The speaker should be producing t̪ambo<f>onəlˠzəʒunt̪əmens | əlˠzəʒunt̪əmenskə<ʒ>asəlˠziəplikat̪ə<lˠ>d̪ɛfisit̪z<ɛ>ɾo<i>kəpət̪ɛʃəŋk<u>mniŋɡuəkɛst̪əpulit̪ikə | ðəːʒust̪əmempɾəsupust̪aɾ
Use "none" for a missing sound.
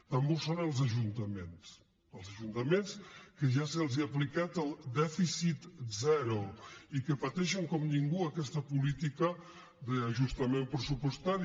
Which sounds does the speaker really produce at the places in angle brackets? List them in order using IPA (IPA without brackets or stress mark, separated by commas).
s, ʒ, lˠ, ɛ, i, ɔ